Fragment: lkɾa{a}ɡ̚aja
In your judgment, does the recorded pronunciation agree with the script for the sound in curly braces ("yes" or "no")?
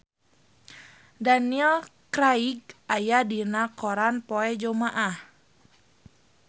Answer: no